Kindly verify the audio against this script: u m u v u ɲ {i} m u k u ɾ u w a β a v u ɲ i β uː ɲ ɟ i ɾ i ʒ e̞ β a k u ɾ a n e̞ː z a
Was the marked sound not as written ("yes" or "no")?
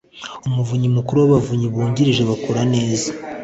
no